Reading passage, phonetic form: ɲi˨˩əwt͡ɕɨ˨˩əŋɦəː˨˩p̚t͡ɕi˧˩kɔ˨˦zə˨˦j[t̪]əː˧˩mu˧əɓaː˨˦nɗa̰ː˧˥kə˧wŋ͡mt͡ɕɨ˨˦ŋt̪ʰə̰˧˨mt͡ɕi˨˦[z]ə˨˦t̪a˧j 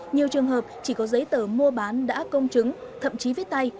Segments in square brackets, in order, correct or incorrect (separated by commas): correct, incorrect